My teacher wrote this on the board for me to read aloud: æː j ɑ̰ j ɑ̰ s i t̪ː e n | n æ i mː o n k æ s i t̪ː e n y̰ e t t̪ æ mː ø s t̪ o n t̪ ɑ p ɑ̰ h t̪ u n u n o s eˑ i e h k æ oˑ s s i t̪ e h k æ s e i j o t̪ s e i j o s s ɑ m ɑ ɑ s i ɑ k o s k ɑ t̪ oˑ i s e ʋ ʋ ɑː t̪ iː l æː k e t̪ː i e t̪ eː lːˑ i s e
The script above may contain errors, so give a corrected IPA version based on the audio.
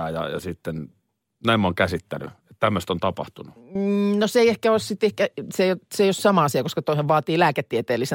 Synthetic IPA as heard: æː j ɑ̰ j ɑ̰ s i t̪ː e n | n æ i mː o ŋ k æ s i t̪ː æ n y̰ e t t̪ æ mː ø s t̪ o n t̪ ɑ p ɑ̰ h t̪ u n u n o s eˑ i e h k æ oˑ s s i t̪ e h k æ s e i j o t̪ s e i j o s s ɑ m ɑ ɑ s i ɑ k o s k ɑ t̪ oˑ i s e ʋ ʋ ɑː t̪ iː l æː k e t̪ː i e t̪ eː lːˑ i s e